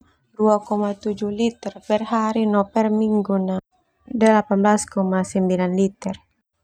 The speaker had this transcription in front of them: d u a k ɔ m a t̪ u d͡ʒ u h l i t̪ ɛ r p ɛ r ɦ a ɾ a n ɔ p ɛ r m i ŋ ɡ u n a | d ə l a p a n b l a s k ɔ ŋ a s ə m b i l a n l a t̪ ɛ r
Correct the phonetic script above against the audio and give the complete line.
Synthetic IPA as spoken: d u a k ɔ m a t̪ u d͡ʒ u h l i t̪ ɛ r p ɛ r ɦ a ɾ i n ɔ p ɛ r m i ŋ ɡ u n a | d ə l a p a n b l a s k ɔ m a s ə m b i l a n l i t̪ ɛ r